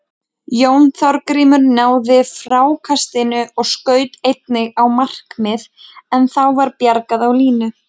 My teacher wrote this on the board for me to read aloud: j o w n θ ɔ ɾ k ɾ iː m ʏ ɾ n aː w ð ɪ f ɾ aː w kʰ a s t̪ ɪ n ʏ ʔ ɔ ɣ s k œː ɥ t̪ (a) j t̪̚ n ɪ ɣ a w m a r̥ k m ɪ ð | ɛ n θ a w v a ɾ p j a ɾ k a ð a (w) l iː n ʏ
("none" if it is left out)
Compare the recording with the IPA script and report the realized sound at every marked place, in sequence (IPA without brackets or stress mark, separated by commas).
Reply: e, w